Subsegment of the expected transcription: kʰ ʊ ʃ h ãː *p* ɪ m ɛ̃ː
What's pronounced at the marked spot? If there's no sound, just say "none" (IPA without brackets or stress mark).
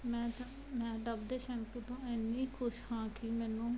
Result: k